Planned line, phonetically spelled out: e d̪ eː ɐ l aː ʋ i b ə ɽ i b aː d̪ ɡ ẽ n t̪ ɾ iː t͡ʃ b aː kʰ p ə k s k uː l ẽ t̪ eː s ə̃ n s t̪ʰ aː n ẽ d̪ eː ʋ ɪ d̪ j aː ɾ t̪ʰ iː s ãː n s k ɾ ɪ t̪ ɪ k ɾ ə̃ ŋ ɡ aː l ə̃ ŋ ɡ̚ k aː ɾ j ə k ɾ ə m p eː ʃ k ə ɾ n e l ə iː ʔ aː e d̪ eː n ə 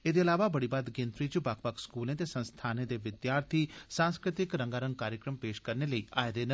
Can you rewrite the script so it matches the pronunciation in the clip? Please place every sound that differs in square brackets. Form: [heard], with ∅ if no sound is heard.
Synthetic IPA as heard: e d̪ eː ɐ l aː ʋ [a] b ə ɽ i b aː d̪ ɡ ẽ n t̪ ɾ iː t͡ʃ b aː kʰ p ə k s k uː l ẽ t̪ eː s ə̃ n s t̪ʰ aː n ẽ d̪ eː ʋ ɪ d̪ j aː ɾ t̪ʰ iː s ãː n s k ɾ ɪ t̪ ɪ k ɾ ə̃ ŋ ɡ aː [ɾ] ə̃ ŋ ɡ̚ k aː ɾ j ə k ɾ ə m p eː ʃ k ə ɾ n e l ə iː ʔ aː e d̪ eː n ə